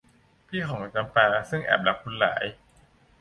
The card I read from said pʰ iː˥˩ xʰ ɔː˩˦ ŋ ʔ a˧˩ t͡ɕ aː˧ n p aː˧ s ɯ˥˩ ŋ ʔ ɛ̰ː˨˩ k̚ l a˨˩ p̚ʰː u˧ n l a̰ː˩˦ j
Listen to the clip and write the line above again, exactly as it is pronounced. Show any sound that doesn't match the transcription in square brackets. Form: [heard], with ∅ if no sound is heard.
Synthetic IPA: pʰ iː˥˩ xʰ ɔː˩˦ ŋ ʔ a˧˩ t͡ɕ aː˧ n p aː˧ s ɯ˥˩ ŋ ʔ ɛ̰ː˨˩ [p̚] l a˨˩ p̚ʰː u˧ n l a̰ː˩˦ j